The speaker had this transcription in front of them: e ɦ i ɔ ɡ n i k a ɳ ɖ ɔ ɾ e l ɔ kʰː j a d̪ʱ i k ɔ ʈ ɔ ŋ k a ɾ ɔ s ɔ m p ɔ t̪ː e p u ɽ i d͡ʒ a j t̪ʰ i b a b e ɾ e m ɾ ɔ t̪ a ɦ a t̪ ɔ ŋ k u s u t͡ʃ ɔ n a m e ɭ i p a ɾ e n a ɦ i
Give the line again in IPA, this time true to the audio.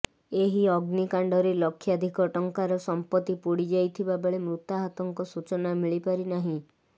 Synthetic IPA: e ɦ i ɔ ɡ n i k a ɳ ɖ ɔ ɾ e l ɔ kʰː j a d̪ʱ i k ɔ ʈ ɔ ŋ k a ɾ ɔ s ɔ m p ɔ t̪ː i p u ɽ i d͡ʒ a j t̪ʰ i b a b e ɭ e m ɾ u t̪ a ɦ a t̪ ɔ ŋ k ɔ s u t͡ʃ ɔ n a m i ɭ i p a ɾ i n a ɦ ĩ